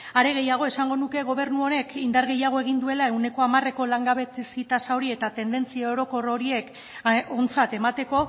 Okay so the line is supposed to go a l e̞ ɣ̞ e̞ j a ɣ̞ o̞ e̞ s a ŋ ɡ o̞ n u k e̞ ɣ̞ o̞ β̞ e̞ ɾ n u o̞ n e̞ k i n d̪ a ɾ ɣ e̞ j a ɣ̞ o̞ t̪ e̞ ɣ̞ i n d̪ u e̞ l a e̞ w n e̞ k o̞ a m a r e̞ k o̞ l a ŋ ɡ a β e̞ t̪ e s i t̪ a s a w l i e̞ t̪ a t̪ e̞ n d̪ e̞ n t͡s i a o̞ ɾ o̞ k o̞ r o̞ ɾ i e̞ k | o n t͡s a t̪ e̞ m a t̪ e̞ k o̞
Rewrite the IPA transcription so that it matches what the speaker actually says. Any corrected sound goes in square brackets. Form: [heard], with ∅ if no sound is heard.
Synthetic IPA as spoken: a [ɾ] e̞ ɣ̞ e̞ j a ɣ̞ o̞ e̞ s a ŋ ɡ o̞ n u k e̞ ɣ̞ o̞ β̞ e̞ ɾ n u o̞ n e̞ k i n d̪ a ɾ ɣ e̞ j a ɣ̞ o̞ [∅] e̞ ɣ̞ i n d̪ u e̞ l a e̞ w n e̞ k o̞ a m a r e̞ k o̞ l a ŋ ɡ a β e̞ t̪ e s i t̪ a s a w [ɾ] i e̞ t̪ a t̪ e̞ n d̪ e̞ n t͡s i a o̞ ɾ o̞ k o̞ r o̞ ɾ i e̞ k | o n t͡s a t̪ e̞ m a t̪ e̞ k o̞